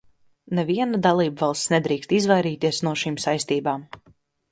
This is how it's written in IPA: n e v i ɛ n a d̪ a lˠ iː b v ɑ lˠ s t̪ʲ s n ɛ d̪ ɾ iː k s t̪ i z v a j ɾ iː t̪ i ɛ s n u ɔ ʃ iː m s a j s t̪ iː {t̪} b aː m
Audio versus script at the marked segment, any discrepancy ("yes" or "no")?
yes